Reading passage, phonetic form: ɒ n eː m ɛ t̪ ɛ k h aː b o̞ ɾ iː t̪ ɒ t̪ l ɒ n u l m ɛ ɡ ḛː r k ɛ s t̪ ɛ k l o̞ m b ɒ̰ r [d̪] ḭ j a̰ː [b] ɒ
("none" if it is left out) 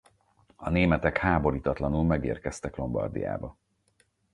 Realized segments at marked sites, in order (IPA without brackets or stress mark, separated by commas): d̪, b